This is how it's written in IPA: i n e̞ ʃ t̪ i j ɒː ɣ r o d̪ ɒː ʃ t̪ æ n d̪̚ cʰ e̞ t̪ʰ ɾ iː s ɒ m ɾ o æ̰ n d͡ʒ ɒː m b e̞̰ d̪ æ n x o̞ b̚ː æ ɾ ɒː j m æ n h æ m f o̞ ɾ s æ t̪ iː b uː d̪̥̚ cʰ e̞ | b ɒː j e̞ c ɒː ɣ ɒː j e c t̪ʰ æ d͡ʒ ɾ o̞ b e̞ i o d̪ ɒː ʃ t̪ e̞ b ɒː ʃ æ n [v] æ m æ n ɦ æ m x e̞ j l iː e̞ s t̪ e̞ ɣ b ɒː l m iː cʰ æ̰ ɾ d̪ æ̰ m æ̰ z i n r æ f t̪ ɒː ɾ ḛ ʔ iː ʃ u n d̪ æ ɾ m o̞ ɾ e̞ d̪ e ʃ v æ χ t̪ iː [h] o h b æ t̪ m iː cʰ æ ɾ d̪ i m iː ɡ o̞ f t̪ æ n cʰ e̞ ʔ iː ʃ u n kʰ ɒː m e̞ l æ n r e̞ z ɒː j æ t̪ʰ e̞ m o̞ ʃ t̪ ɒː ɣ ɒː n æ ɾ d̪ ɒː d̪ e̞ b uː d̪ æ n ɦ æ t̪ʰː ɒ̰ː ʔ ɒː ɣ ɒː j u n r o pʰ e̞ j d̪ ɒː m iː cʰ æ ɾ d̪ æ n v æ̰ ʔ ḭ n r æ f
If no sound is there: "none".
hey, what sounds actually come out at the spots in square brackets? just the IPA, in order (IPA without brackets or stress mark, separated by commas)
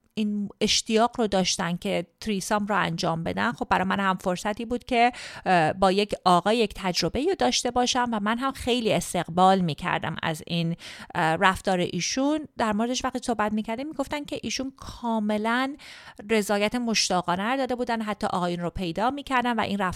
v, s